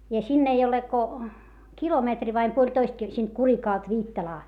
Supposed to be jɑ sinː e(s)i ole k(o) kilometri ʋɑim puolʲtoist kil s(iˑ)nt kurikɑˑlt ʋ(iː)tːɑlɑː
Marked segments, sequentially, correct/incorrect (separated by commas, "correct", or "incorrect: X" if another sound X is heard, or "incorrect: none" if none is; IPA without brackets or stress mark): incorrect: none, correct, correct, correct